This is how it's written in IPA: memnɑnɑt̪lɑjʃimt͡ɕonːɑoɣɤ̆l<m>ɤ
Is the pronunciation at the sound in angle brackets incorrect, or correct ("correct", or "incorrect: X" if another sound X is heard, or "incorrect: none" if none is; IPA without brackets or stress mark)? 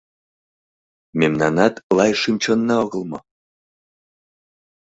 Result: correct